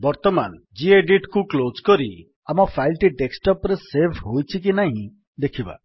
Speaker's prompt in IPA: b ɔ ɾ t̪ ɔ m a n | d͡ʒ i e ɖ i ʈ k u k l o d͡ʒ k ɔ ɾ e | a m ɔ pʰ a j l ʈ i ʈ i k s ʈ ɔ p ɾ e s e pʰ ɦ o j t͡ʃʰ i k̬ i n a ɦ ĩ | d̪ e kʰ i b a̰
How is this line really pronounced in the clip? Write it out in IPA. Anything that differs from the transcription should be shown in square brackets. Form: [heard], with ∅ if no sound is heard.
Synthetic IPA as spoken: b ɔ ɾ t̪ ɔ m a n | d͡ʒ i e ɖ i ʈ k u k l o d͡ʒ k ɔ ɾ [i] | a m ɔ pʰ a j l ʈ i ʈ [e] k s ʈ ɔ p ɾ e s e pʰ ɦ o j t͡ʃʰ i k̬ i n a ɦ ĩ | d̪ e kʰ i b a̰